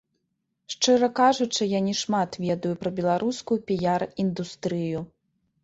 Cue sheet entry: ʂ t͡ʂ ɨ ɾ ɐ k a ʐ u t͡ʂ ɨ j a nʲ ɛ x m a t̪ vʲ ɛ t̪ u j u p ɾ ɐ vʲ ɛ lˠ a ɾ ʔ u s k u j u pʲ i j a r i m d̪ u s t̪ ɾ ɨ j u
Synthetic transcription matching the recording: ʂ t͡ʂ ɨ ɾ ɐ k a ʐ u t͡ʂ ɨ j a nʲ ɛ ʂ m a t̪ vʲ ɛ d̪ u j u p ɾ ɐ bʲ ɛ lˠ a ɾ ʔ u s k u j u pʲ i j a r i n d̪ u s t̪ ɾ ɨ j u